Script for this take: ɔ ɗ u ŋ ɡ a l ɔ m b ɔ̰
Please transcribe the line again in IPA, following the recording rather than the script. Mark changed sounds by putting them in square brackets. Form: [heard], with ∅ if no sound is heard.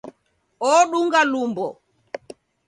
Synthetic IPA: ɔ ɗ u ŋ ɡ a l [u] m b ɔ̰